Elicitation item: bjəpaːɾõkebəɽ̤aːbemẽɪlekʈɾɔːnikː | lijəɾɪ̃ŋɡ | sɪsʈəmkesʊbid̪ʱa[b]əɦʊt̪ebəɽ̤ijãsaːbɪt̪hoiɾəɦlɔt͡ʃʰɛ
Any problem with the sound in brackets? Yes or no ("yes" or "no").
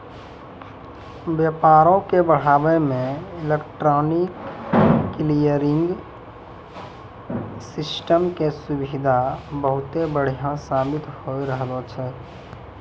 no